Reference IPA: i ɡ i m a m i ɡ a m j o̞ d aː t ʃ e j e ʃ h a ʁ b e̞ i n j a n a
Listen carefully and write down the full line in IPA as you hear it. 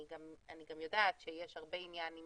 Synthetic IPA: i ɡ a m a n i ɡ a m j o̞ d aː t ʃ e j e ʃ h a ʁ b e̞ i n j a n i